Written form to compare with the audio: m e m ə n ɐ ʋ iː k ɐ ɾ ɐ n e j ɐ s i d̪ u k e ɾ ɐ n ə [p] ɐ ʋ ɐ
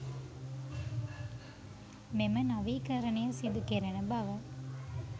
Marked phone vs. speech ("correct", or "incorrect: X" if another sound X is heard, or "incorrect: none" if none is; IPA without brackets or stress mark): incorrect: b